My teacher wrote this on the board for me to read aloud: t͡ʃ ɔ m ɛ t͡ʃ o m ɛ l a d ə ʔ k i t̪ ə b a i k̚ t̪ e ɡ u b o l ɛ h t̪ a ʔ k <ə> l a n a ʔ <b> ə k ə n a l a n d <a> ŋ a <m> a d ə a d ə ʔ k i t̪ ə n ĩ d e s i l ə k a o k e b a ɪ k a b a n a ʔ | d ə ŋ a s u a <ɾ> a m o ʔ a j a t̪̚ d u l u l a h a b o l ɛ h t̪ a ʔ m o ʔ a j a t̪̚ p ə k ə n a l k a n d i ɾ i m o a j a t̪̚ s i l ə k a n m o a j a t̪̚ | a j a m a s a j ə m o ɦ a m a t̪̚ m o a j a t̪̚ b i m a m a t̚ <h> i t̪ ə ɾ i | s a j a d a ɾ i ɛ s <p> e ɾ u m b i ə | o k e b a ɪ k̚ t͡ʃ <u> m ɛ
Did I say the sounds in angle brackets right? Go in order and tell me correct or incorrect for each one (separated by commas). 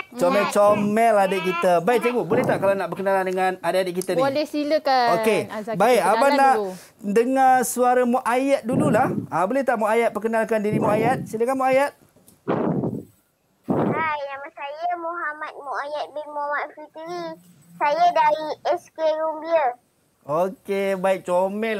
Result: incorrect, correct, incorrect, incorrect, correct, incorrect, incorrect, incorrect